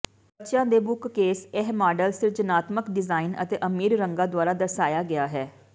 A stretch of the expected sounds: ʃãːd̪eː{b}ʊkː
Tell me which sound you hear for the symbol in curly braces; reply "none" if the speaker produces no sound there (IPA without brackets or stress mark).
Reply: b